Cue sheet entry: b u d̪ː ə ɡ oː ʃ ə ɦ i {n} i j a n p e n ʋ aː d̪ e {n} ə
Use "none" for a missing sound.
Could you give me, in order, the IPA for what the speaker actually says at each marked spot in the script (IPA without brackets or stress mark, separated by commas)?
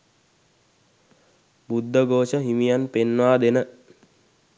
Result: m, n